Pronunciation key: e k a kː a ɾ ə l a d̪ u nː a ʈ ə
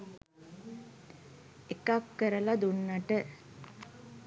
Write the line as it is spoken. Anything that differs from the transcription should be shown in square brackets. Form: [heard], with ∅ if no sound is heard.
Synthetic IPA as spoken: e k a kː [ə] ɾ ə l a d̪ u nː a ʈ ə